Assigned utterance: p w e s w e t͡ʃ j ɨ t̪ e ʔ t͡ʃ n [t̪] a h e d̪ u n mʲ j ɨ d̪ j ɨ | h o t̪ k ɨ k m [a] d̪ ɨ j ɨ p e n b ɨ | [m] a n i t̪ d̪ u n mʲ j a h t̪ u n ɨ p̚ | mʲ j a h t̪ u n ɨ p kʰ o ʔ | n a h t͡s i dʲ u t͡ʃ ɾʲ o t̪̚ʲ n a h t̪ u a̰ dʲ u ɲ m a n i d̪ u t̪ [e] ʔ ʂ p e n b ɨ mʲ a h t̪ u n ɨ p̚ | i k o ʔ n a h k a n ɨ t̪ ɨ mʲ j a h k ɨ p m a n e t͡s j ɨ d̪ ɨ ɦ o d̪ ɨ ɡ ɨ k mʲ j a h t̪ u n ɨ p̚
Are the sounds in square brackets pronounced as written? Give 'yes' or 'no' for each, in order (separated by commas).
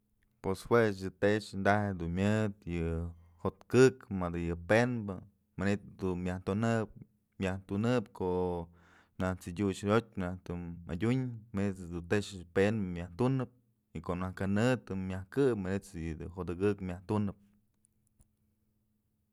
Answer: no, yes, yes, yes